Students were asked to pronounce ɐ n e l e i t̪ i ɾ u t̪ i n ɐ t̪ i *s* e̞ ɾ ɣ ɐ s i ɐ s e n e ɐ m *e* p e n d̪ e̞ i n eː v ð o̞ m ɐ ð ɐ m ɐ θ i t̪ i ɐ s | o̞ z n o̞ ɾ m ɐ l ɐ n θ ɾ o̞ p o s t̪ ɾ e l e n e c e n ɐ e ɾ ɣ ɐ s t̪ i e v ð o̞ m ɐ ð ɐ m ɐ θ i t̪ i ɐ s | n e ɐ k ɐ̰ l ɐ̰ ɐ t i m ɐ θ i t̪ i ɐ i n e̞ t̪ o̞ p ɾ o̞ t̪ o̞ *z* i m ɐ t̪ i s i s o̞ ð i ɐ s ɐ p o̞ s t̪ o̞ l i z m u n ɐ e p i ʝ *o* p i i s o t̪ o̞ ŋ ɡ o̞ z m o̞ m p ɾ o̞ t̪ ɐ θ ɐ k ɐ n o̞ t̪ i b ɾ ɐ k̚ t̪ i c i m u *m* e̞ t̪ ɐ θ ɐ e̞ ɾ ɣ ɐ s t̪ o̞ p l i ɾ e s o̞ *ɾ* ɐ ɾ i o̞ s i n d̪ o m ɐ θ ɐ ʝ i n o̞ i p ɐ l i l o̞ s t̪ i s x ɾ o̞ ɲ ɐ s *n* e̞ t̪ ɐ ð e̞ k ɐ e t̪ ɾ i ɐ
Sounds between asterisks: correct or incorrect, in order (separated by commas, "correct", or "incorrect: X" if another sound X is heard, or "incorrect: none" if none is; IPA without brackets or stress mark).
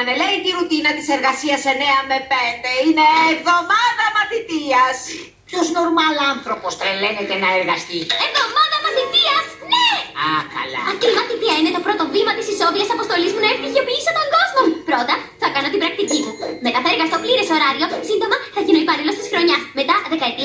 correct, correct, incorrect: v, correct, correct, correct, incorrect: m